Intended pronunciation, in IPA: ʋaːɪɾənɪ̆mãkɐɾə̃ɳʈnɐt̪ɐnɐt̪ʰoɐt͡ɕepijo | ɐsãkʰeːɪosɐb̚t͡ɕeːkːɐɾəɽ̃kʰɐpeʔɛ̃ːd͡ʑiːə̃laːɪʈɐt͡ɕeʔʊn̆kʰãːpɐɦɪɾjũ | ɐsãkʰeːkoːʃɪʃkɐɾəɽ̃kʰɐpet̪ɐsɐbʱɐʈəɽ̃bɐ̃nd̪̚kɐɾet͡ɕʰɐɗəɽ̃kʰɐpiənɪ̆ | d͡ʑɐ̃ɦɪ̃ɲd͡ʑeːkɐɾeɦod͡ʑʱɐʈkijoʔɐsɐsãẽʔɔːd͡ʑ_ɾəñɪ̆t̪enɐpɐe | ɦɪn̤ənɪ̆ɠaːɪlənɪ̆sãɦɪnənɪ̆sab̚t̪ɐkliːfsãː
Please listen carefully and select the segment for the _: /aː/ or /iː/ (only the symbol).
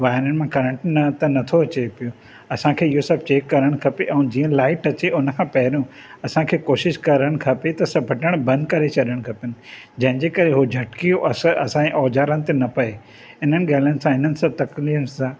aː